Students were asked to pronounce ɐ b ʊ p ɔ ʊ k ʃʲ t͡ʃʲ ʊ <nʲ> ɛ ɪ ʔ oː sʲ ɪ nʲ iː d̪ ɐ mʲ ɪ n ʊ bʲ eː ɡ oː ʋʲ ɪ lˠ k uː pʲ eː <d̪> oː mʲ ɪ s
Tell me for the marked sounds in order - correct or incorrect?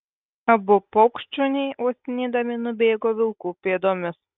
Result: correct, correct

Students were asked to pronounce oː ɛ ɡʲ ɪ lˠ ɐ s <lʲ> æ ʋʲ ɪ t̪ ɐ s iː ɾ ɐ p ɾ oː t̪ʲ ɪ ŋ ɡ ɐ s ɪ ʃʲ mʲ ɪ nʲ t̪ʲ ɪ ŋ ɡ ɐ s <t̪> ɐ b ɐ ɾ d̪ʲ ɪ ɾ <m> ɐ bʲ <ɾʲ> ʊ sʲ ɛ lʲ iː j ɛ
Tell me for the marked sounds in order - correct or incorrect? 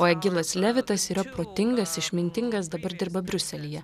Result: correct, incorrect, incorrect, correct

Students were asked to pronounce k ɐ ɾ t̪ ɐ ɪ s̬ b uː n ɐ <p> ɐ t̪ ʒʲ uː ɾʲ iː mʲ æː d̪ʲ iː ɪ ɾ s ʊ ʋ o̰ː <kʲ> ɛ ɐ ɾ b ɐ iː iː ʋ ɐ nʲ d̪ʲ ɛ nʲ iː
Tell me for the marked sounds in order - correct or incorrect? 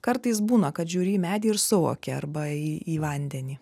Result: incorrect, correct

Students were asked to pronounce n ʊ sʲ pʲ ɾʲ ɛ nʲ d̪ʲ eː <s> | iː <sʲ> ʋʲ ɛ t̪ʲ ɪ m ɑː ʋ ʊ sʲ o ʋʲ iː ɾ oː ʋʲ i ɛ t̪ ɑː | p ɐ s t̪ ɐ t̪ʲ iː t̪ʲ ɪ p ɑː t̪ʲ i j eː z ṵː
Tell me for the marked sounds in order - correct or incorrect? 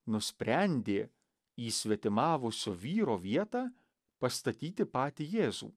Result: incorrect, correct

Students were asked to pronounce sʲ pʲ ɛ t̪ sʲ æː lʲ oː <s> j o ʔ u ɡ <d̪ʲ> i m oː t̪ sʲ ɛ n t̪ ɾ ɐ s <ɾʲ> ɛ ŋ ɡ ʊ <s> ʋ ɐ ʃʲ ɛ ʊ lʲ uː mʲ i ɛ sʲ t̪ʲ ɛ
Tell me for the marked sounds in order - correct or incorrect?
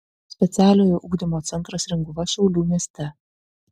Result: incorrect, correct, correct, incorrect

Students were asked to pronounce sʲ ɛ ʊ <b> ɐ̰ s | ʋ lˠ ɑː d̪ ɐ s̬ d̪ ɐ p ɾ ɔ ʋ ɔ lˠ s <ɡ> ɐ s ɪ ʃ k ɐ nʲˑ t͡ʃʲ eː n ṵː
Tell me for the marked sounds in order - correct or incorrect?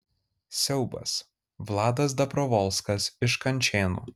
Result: correct, incorrect

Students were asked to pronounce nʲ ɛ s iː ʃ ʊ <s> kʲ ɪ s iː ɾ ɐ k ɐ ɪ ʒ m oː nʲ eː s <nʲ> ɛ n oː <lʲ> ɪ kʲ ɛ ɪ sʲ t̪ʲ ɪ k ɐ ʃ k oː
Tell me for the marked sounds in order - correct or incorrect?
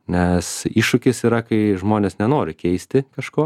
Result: incorrect, correct, incorrect

